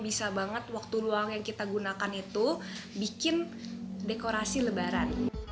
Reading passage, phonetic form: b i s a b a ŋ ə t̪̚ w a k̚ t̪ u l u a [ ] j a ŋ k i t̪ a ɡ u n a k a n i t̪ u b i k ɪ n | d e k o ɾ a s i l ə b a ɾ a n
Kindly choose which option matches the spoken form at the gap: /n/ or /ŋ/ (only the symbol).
ŋ